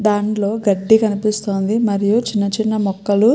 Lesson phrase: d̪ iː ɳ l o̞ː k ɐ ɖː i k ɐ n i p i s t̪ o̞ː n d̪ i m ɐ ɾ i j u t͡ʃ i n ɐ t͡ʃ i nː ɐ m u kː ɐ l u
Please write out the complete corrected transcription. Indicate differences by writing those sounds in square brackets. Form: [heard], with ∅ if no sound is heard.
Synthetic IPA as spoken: d̪ [aː] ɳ l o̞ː [ɡ] ɐ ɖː i k ɐ n i p i s t̪ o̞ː n d̪ i m ɐ ɾ i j u t͡ʃ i [nː] ɐ t͡ʃ i nː ɐ m [ɔ] kː ɐ l u